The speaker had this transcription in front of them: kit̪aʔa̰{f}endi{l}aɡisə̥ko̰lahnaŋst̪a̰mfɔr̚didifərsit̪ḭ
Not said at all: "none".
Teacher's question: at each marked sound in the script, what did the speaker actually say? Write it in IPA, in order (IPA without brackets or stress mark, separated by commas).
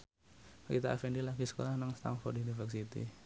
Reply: f, l